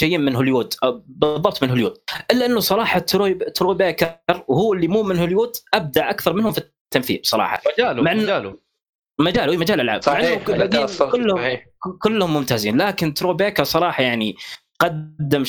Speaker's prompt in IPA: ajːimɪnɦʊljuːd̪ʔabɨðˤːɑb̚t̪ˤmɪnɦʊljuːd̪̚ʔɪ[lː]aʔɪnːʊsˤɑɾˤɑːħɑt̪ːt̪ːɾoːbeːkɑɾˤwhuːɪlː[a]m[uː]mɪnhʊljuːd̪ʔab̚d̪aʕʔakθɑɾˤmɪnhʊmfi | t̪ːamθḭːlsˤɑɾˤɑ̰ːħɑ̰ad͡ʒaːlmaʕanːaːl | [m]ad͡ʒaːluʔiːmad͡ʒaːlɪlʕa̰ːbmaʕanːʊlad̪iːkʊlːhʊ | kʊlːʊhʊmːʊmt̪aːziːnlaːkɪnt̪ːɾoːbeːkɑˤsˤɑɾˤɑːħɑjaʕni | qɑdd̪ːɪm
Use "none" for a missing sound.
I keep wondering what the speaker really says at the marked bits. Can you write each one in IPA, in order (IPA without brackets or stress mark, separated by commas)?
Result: lː, i, uː, m